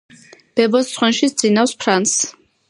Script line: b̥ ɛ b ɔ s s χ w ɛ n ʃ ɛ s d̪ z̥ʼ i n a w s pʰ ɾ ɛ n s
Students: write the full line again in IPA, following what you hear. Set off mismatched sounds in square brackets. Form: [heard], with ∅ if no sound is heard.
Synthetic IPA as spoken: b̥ ɛ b ɔ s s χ w ɛ n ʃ [i] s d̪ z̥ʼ i n a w s pʰ ɾ [a] n s